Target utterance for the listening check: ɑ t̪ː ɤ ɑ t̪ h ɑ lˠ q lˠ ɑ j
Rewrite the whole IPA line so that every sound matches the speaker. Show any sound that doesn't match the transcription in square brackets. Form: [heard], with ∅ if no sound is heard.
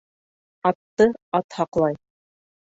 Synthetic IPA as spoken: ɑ t̪ː ɤ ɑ t̪ h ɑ [∅] q lˠ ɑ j

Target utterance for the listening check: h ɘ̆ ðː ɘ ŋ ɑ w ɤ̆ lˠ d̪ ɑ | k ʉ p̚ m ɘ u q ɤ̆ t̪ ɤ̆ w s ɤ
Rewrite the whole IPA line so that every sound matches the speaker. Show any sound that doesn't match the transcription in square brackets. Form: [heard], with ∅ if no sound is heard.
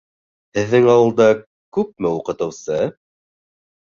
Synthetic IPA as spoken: h ɘ̆ ðː ɘ ŋ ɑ w ɤ̆ lˠ d̪ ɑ | k ʉ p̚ m ɘ u q ɤ̆ t̪ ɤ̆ w s ɤ

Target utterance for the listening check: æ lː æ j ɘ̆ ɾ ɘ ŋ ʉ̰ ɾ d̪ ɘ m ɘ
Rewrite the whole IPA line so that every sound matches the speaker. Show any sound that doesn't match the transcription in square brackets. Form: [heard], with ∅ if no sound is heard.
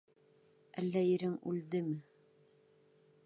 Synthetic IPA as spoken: æ lː æ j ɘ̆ ɾ ɘ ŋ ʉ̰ [l] d̪ ɘ m ɘ

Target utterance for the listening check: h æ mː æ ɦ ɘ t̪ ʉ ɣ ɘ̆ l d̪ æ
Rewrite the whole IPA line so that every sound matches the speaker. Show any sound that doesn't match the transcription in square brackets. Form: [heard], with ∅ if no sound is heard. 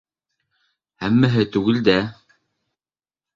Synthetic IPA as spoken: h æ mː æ ɦ ɘ t̪ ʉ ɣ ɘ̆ l d̪ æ

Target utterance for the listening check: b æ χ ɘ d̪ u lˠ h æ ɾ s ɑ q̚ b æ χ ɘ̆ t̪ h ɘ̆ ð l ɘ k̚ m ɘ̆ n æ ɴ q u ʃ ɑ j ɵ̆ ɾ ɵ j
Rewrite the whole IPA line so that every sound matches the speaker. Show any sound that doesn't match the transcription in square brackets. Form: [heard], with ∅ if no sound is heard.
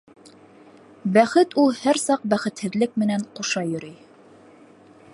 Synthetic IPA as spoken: b æ χ ɘ [t̪] u lˠ h æ ɾ s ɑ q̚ b æ χ ɘ̆ t̪ h ɘ̆ ð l ɘ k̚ m ɘ̆ n æ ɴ q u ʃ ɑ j ɵ̆ ɾ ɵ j

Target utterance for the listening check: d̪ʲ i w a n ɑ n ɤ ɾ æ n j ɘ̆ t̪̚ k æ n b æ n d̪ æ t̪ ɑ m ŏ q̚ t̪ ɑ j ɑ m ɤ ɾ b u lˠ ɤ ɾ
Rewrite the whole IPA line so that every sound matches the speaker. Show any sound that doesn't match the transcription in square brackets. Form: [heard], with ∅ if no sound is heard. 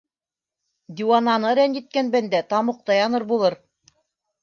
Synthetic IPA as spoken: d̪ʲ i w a n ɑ n ɤ ɾ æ n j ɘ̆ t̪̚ k æ n b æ n d̪ æ t̪ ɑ m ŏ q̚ t̪ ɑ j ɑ [n] ɤ ɾ b u lˠ ɤ ɾ

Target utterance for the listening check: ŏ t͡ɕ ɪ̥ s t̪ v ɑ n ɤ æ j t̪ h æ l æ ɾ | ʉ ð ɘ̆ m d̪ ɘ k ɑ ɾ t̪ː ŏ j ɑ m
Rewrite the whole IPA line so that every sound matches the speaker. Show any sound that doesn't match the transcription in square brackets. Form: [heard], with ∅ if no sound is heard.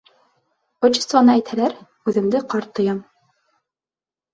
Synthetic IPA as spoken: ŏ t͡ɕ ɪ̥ s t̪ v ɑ n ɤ æ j t̪ h æ l æ ɾ | ʉ ð ɘ̆ m d̪ ɘ [q] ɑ ɾ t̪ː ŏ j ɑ m

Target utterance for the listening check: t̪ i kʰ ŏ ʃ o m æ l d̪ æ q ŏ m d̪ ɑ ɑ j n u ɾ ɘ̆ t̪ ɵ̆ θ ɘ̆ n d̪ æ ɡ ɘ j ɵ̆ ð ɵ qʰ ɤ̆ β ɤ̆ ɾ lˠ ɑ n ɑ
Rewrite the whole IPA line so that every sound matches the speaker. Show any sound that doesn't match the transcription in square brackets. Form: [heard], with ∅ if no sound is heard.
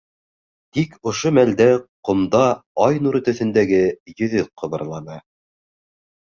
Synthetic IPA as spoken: t̪ i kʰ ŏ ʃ o m æ l d̪ æ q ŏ m d̪ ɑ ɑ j n u ɾ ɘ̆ t̪ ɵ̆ θ ɘ̆ n d̪ æ ɡ ɘ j ɵ̆ ð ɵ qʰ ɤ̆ β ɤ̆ ɾ lˠ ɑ n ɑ

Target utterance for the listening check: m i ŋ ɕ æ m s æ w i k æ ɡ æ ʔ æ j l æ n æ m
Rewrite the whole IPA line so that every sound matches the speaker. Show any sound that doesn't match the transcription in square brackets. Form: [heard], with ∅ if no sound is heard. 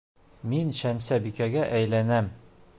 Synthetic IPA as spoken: m i [n] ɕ æ m s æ [b] i k æ ɡ æ ʔ æ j l æ n æ m

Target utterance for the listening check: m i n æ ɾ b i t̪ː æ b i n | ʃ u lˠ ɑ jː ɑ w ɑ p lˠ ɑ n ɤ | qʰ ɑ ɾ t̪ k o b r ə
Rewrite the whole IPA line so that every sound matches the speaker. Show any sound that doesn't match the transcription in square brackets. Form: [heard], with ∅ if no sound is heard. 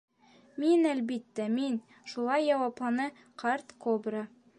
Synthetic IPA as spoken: m i n æ [l] b i t̪ː æ [m] i n | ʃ u lˠ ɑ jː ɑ w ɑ p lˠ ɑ n ɤ | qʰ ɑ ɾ t̪ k o b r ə

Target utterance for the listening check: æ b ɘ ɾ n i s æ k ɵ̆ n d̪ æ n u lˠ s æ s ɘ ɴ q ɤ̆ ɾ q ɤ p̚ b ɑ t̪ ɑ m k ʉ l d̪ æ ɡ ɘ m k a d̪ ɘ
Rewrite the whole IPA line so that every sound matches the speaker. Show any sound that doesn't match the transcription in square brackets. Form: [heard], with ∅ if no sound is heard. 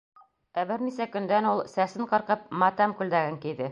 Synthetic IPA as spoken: æ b ɘ ɾ n i s æ k ɵ̆ n d̪ æ n u lˠ s æ s ɘ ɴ q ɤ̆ ɾ q ɤ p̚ [m] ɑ t̪ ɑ m k ʉ l d̪ æ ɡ ɘ [ŋ] k [i] d̪ ɘ

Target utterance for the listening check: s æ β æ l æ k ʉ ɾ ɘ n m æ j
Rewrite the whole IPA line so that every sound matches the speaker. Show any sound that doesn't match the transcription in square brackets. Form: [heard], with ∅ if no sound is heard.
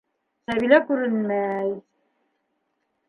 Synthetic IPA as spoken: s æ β [i] l æ k ʉ ɾ ɘ n m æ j

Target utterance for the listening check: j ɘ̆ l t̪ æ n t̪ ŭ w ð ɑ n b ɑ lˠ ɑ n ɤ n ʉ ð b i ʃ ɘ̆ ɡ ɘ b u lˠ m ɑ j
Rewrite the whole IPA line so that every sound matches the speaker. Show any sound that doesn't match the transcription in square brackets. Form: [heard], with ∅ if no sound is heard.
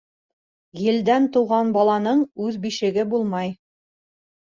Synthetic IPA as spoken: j ɘ̆ l [d̪] æ n t̪ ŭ w [ʁ] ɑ n b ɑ lˠ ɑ n ɤ [ɴ] ʉ ð b i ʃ ɘ̆ ɡ ɘ b u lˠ m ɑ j

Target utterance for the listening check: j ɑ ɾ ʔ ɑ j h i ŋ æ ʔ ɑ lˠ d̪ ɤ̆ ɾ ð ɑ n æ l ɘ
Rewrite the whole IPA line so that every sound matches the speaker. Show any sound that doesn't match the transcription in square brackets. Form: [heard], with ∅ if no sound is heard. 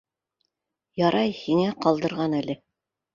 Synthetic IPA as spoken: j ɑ ɾ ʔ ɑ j h i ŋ æ [q] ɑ lˠ d̪ ɤ̆ ɾ [ʁ] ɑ n æ l ɘ

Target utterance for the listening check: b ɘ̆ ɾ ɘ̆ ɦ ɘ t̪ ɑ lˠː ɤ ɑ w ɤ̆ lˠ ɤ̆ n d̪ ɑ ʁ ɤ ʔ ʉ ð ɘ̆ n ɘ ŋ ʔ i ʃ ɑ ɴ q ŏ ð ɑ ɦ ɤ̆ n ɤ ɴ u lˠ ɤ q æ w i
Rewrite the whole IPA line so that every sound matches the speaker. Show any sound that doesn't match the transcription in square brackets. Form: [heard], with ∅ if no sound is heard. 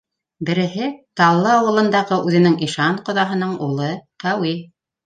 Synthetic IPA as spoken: b ɘ̆ ɾ ɘ̆ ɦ ɘ t̪ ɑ lˠː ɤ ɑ w ɤ̆ lˠ ɤ̆ n d̪ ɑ ʁ ɤ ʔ ʉ ð ɘ̆ n ɘ ŋ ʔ i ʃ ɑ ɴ q ŏ ð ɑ ɦ ɤ̆ n ɤ ɴ u lˠ ɤ q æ w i

